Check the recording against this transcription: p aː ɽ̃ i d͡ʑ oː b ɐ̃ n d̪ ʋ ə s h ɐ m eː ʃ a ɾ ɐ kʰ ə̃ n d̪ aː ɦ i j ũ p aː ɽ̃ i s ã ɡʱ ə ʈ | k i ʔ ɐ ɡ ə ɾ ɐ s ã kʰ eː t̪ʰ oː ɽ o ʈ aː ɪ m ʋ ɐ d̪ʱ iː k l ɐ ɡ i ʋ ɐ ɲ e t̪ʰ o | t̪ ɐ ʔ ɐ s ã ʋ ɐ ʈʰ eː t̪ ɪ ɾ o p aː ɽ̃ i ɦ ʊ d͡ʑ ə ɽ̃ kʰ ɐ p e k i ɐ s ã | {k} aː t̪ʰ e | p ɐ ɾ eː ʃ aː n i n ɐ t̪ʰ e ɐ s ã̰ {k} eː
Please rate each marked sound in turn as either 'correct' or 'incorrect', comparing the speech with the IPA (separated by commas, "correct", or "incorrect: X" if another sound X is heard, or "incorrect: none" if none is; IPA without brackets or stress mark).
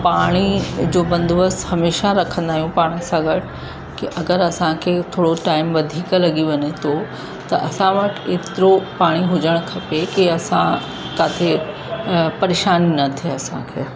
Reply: correct, incorrect: kʰ